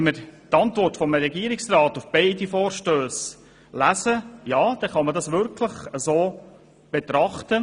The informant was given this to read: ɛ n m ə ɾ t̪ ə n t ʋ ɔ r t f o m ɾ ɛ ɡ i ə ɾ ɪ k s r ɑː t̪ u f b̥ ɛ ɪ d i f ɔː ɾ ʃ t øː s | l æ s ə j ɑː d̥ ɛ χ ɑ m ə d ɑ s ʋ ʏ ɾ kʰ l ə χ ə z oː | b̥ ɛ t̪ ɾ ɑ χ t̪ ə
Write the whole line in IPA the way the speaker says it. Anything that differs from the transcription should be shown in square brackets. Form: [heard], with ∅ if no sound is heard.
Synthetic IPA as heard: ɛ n m ə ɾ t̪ [ɑ] n t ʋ ɔ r t f [ɔ] m ɾ ɛ ɡ i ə ɾ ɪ k s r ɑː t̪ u f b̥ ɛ ɪ d i f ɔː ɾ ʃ t øː s | l æ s ə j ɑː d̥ ɛ χ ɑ m ə d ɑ s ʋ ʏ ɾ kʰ l ə χ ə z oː | b̥ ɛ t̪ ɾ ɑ χ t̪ ə